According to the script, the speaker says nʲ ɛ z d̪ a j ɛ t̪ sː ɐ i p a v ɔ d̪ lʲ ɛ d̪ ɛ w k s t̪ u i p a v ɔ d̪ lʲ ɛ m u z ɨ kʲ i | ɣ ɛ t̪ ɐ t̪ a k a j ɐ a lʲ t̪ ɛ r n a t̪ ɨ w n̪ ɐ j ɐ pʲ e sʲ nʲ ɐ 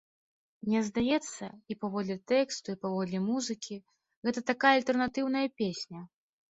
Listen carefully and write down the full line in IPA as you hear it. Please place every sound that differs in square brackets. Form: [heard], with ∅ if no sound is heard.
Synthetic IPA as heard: nʲ ɛ z d̪ a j ɛ t̪ sː ɐ i p a v ɔ d̪ lʲ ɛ [t̪] ɛ [∅] k s t̪ u i p a v ɔ d̪ lʲ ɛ m u z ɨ kʲ i | ɣ ɛ t̪ ɐ t̪ a k a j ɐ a lʲ t̪ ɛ r n a t̪ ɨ w n̪ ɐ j ɐ pʲ e sʲ nʲ ɐ